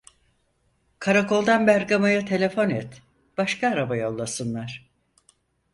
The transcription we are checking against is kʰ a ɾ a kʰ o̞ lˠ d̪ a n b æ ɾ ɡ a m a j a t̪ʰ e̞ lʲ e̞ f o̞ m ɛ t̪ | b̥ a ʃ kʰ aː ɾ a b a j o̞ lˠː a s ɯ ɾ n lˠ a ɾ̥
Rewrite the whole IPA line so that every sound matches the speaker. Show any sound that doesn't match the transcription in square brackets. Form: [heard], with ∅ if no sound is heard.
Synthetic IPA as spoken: kʰ a ɾ a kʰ o̞ lˠ d̪ a n b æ ɾ ɡ a m a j a t̪ʰ e̞ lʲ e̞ f o̞ [n] ɛ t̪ | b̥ a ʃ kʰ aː ɾ a b a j o̞ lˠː a s ɯ [∅] n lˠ a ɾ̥

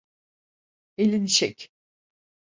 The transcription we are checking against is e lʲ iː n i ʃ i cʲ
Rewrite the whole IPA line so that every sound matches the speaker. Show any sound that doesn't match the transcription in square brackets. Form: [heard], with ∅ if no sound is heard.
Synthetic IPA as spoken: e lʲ [i] n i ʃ [ɛ] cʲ

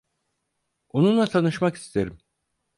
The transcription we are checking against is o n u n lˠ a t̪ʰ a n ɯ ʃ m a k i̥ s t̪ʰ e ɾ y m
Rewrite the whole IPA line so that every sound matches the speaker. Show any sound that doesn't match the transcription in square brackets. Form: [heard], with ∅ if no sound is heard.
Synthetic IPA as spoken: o n u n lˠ a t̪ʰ a n ɯ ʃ m a k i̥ s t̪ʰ e ɾ [i] m

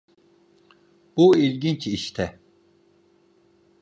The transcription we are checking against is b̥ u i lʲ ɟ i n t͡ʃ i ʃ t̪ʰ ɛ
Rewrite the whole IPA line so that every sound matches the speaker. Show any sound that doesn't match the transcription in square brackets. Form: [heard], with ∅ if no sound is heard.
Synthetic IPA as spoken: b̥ u i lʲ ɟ i n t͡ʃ i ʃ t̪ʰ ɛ

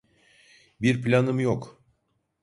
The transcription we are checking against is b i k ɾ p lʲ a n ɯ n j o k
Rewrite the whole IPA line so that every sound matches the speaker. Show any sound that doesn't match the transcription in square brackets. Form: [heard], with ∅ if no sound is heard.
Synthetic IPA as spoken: b i [∅] ɾ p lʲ a n ɯ [m] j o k

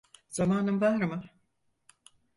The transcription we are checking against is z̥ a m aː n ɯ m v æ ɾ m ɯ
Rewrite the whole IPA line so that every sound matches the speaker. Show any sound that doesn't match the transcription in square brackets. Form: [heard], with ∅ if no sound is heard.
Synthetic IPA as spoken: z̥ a m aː n ɯ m v [a] ɾ m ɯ

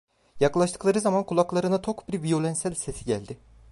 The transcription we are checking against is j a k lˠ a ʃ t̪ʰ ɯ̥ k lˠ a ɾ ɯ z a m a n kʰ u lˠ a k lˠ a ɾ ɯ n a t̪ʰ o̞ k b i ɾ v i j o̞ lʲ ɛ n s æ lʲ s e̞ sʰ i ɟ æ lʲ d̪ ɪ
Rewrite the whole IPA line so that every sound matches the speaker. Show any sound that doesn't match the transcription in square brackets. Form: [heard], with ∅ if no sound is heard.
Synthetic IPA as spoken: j a k lˠ a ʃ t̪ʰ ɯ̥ k lˠ a ɾ ɯ z a m a n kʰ u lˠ a k lˠ a ɾ ɯ n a t̪ʰ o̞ k b i ɾ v i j o̞ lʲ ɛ n s æ lʲ s e̞ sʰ i ɟ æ lʲ d̪ ɪ

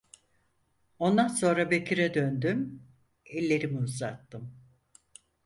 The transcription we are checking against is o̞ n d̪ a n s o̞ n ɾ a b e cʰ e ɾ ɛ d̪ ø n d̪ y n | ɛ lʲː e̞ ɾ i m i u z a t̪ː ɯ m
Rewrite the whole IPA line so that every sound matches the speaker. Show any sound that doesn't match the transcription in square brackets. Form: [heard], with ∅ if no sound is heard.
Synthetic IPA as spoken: o̞ n d̪ a n s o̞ n ɾ a b e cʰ [i] ɾ ɛ d̪ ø n d̪ y [m] | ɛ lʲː e̞ ɾ i m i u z a t̪ː ɯ m

